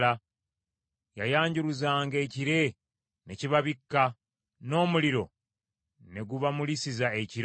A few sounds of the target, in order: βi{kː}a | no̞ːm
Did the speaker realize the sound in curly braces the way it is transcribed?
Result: yes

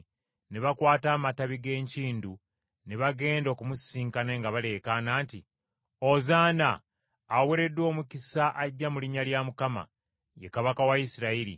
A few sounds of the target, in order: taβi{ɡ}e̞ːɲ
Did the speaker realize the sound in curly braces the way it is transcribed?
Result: yes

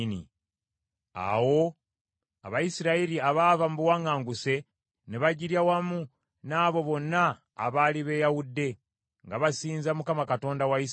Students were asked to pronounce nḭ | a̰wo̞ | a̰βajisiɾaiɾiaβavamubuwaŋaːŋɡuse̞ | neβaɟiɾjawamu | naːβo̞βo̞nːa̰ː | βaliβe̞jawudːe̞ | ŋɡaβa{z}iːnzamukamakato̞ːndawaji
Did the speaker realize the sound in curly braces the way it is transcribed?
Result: no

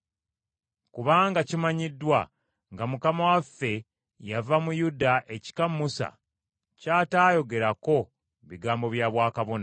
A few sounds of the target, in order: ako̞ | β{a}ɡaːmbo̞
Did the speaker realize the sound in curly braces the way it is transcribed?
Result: no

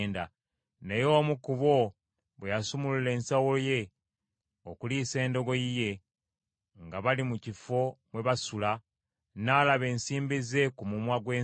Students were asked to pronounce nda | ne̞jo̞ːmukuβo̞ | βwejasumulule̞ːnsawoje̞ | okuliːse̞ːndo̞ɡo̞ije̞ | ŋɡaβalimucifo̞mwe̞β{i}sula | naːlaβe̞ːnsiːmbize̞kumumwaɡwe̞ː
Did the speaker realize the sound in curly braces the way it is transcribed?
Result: no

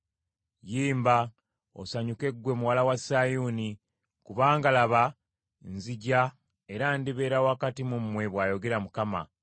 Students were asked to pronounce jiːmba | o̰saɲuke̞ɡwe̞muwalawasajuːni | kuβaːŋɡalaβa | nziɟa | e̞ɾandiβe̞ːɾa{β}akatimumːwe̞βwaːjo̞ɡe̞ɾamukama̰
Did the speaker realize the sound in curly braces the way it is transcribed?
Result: no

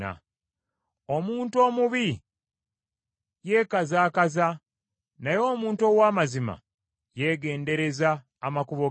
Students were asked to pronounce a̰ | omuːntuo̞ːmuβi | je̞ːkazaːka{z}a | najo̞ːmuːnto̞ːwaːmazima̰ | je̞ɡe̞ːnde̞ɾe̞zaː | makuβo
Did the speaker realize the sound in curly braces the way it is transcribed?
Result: yes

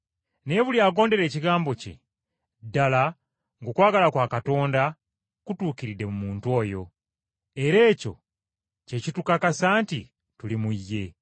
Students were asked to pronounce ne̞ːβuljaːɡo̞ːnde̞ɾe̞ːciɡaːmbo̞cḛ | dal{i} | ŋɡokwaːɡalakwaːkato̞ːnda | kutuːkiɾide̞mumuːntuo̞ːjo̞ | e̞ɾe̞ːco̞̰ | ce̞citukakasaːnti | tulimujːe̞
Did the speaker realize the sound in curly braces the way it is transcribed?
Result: no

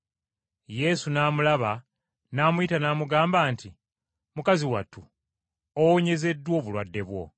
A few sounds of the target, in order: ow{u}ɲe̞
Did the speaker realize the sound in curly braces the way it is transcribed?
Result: no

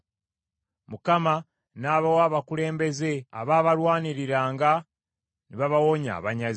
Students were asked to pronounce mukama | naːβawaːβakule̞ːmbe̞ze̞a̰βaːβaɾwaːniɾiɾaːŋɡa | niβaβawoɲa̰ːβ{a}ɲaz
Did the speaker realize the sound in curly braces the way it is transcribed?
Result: yes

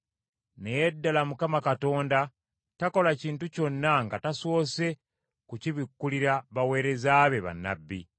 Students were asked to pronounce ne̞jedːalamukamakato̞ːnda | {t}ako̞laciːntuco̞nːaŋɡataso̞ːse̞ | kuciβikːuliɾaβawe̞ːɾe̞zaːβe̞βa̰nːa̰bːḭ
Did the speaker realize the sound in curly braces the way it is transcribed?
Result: yes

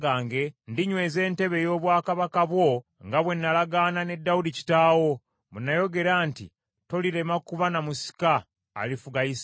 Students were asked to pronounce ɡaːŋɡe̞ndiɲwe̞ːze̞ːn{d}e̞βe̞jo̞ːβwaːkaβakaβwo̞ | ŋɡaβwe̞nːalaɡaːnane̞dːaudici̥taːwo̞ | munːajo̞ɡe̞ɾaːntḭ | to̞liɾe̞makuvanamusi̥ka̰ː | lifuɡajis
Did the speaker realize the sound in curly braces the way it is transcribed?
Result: no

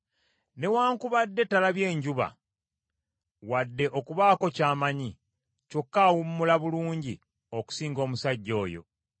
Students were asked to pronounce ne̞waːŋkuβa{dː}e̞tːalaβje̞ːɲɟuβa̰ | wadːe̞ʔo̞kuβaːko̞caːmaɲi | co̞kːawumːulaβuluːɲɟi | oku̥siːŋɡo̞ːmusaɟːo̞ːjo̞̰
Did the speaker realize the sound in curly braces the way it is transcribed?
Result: yes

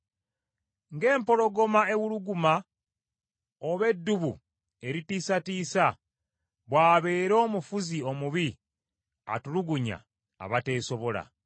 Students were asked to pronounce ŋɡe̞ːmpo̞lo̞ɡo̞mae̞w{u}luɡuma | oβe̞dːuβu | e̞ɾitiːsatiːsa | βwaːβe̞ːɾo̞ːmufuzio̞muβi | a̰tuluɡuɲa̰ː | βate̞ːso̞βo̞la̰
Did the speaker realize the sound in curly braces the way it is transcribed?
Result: yes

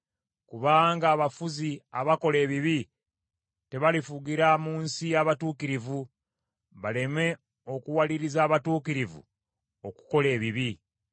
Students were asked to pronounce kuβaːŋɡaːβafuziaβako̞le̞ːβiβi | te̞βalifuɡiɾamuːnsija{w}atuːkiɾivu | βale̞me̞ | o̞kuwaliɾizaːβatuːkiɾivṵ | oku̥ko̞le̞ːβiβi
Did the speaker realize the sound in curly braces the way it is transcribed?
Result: no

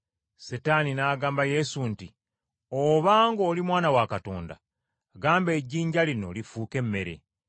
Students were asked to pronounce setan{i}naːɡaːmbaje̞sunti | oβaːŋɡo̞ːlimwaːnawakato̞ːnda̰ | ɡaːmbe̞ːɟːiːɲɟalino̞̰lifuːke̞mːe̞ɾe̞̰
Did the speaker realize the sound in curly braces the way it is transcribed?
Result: yes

